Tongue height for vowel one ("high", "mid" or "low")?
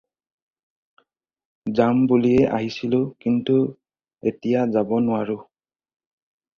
low